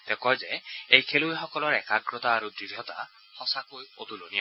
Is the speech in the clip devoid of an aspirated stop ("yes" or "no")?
no